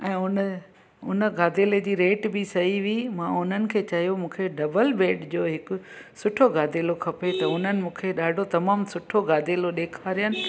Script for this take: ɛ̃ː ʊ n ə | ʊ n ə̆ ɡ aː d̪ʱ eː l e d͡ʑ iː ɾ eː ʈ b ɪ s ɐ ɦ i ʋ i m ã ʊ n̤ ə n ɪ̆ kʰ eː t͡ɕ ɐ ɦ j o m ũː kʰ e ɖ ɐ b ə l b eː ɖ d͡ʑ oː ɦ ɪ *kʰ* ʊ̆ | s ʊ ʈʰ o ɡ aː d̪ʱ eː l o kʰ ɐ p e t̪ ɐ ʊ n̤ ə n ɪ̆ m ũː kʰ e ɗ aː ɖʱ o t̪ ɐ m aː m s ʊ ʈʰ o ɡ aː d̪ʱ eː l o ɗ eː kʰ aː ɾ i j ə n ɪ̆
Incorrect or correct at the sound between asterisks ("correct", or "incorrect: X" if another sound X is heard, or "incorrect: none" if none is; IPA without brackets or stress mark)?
incorrect: k